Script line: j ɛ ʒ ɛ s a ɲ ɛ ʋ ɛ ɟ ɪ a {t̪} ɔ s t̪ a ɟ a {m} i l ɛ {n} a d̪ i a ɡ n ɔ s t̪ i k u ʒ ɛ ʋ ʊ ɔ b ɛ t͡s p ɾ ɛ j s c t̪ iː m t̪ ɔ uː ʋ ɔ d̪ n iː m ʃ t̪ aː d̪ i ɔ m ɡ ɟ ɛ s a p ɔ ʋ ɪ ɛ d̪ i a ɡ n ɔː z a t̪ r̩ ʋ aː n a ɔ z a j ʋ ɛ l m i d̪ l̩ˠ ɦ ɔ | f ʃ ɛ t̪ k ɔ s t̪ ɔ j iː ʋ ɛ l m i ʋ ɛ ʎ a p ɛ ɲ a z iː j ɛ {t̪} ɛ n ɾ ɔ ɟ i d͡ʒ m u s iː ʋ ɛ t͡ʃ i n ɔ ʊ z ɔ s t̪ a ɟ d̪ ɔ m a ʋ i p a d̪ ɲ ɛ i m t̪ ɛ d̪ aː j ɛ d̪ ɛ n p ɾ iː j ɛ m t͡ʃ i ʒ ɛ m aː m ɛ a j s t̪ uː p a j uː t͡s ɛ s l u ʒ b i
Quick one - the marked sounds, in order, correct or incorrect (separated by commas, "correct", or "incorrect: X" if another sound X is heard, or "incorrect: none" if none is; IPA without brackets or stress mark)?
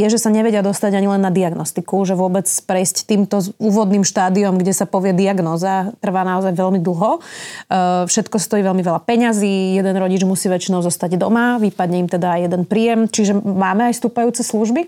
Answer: incorrect: d̪, incorrect: ɲ, incorrect: nː, incorrect: d̪